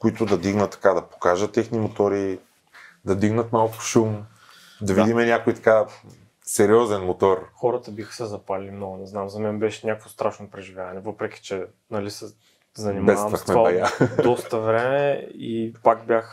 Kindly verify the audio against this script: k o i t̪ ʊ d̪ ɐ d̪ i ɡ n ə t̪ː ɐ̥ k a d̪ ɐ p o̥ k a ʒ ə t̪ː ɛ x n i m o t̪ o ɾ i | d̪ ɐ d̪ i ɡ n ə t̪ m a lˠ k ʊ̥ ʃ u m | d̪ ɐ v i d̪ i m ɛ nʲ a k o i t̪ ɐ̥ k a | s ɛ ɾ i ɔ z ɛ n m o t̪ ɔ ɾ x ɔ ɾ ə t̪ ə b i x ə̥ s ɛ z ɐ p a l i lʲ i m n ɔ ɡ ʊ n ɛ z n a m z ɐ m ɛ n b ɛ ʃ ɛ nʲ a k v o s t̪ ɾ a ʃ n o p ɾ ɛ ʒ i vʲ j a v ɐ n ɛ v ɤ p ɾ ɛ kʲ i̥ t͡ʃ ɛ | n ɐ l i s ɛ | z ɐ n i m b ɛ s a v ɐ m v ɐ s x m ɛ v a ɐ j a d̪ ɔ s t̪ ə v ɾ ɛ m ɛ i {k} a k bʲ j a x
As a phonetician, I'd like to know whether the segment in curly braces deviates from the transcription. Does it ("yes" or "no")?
yes